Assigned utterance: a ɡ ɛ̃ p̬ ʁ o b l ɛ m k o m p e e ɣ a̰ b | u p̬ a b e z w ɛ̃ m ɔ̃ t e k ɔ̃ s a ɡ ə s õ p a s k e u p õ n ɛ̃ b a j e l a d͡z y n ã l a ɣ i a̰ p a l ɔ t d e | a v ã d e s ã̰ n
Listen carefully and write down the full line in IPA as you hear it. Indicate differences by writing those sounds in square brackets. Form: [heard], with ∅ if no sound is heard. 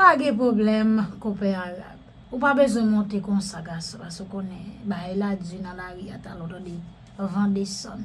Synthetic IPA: a ɡ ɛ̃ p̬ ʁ o b l ɛ m k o [∅] p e [a] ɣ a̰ b | u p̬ a b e z w ɛ̃ m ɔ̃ t e k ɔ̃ s a ɡ [a] s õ p a s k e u [k] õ n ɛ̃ b a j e l a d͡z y n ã l a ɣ i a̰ [t] a l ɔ t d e | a v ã d e s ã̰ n